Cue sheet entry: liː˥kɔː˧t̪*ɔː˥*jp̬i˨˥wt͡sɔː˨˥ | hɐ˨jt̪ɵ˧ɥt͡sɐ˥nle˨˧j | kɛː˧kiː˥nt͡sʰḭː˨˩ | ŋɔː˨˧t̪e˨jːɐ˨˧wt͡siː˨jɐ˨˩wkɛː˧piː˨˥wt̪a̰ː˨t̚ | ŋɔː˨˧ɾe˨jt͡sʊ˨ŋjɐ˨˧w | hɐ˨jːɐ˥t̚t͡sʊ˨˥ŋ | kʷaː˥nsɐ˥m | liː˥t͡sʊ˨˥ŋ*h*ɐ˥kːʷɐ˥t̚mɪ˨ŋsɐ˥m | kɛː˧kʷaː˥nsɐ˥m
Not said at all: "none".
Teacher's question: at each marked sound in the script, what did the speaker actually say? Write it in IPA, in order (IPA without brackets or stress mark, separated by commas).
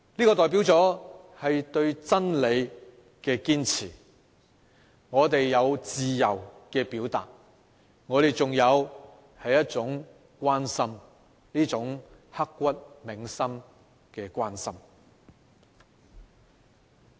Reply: ɔː˨˩, h